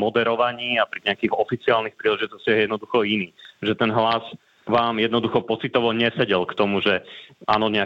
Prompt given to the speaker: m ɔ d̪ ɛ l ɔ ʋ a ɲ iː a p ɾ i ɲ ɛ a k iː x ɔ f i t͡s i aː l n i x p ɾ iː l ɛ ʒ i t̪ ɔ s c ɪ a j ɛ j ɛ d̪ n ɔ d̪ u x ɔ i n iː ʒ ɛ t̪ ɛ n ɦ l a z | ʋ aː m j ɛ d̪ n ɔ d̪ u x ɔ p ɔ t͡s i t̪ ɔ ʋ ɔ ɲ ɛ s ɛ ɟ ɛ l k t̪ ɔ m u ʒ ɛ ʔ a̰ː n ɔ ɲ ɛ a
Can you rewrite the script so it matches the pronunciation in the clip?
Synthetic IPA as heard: m ɔ d̪ ɛ ɾ ɔ ʋ a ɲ iː a p ɾ i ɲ ɛ a k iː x ɔ f i t͡s i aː l n i x p ɾ iː l ɛ ʒ i t̪ ɔ s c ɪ a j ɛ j ɛ d̪ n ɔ d̪ u x ɔ i n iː ʒ ɛ t̪ ɛ n ɦ l a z | ʋ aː m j ɛ d̪ n ɔ d̪ u x ɔ p ɔ t͡s i t̪ ɔ ʋ ɔ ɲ ɛ s ɛ ɟ ɛ l k t̪ ɔ m u ʒ ɛ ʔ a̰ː n ɔ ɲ ɛ a